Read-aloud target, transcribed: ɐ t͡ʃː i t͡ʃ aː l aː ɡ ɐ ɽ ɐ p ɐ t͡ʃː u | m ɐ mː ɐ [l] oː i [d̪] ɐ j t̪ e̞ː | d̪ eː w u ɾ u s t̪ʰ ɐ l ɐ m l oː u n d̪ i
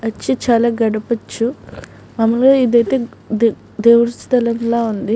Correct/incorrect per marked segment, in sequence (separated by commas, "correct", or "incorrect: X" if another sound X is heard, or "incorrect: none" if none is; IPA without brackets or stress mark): correct, correct